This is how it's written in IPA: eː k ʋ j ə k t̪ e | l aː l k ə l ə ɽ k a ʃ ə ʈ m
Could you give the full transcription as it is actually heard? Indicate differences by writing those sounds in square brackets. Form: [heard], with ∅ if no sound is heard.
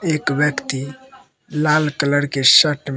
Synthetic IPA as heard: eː k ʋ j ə k t̪ [i] | l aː l k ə l ə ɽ k [e] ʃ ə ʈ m